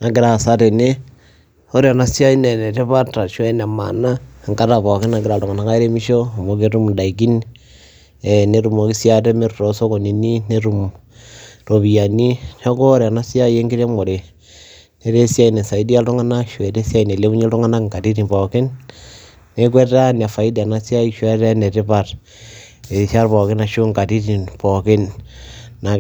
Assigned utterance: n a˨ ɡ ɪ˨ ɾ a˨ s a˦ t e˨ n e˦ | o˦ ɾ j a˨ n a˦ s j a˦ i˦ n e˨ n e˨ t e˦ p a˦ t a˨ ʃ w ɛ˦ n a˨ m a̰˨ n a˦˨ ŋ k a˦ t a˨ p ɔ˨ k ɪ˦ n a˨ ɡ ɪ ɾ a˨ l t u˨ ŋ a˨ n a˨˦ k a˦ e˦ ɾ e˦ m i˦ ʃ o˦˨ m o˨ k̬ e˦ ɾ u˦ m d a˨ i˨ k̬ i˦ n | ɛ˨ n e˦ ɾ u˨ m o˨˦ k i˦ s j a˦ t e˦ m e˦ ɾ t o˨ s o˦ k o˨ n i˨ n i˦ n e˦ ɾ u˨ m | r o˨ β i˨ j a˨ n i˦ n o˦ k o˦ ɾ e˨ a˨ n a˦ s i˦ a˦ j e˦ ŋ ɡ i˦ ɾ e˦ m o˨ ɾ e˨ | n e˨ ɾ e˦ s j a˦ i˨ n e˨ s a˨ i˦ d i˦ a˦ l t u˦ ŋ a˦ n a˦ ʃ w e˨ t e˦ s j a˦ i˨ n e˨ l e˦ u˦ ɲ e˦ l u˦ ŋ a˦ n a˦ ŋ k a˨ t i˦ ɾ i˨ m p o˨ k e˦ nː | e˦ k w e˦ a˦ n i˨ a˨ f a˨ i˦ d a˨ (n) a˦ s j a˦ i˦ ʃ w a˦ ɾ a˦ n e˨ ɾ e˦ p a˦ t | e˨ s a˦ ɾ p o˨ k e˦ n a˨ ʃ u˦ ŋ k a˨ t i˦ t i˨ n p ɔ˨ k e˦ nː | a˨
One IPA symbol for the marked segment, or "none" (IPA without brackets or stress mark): n